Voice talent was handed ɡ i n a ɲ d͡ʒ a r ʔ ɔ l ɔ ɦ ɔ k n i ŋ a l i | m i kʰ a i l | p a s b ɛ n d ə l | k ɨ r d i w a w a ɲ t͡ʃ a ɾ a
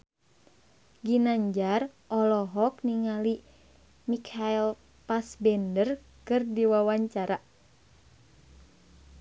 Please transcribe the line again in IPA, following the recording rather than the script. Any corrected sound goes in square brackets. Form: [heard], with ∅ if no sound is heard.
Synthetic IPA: ɡ i n a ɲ d͡ʒ a r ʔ ɔ l ɔ ɦ ɔ k n i ŋ a l i | m i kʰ a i l | p a s b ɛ n d ə [r] | k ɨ r d i w a w a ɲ t͡ʃ a ɾ a